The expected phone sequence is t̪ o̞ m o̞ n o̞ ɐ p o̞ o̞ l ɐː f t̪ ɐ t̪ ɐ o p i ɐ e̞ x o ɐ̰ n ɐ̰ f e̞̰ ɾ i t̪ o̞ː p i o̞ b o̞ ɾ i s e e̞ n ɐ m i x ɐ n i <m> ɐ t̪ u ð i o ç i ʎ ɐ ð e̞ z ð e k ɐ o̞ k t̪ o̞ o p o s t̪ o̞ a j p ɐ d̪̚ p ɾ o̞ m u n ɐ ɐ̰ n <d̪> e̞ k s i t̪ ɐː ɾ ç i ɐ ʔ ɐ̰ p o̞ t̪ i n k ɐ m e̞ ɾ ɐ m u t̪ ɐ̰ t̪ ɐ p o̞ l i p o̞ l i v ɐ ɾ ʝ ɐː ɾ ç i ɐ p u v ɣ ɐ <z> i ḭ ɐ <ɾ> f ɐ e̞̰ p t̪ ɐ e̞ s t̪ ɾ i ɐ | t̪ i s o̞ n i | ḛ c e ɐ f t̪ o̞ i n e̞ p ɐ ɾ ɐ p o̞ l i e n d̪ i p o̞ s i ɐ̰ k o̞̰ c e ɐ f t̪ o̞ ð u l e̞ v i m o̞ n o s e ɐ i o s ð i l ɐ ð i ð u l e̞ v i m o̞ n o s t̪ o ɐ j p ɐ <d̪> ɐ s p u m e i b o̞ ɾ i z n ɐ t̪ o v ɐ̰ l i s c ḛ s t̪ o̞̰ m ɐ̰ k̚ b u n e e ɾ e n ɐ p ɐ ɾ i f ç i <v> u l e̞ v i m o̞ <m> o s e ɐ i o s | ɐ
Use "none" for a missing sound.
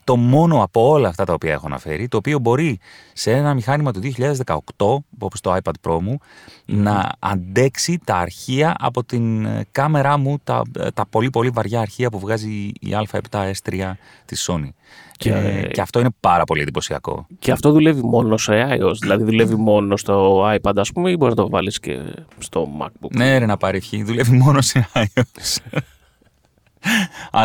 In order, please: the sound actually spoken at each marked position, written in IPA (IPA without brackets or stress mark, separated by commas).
m, d̪, z, l, d̪, ð, n